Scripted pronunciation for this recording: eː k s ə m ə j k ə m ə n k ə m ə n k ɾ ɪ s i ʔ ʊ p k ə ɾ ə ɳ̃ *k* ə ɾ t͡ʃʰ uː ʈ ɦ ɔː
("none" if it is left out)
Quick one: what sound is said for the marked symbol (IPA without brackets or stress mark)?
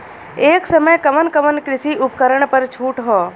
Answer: p